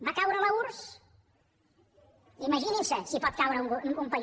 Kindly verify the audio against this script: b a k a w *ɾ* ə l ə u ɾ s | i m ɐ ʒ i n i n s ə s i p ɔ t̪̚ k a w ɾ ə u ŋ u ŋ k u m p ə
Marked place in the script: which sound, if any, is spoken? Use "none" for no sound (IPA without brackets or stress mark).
ɾ